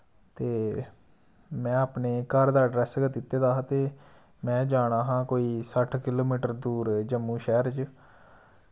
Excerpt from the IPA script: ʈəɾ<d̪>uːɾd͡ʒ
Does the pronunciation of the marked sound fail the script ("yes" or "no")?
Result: no